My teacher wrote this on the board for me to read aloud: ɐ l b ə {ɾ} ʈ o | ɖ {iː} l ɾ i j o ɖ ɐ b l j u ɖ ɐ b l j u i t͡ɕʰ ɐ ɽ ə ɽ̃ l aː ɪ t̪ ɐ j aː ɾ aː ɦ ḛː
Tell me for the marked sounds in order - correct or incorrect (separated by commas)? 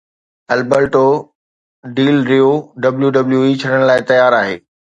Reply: correct, correct